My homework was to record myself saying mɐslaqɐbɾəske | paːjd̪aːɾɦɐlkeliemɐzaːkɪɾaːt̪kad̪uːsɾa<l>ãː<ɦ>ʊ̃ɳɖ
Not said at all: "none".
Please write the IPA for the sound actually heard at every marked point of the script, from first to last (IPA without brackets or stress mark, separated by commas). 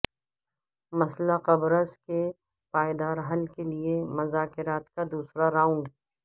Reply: ɾ, none